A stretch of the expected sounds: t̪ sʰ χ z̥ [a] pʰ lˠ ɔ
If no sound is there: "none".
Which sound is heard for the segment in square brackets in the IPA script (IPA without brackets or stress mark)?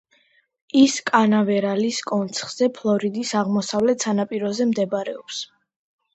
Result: ɛ